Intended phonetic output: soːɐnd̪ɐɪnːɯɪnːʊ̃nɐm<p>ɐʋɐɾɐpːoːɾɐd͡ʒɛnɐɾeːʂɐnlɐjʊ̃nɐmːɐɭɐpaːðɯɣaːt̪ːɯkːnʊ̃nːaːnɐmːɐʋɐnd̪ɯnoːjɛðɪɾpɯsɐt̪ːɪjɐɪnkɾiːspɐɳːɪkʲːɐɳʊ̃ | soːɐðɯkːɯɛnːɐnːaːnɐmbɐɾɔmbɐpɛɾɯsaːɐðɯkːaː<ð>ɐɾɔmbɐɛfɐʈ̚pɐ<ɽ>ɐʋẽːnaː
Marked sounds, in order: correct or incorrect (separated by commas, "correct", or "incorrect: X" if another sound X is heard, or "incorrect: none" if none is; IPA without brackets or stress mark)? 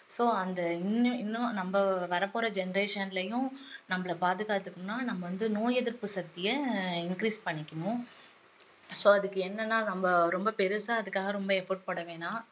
incorrect: b, incorrect: ɣ, correct